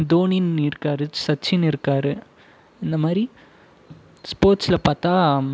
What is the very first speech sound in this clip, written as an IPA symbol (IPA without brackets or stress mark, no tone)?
d̪